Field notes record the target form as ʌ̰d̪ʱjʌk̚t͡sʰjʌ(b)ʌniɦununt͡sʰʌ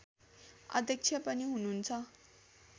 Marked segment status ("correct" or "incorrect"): incorrect